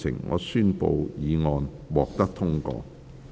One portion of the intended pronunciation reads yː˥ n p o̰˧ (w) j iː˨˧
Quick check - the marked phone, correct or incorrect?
correct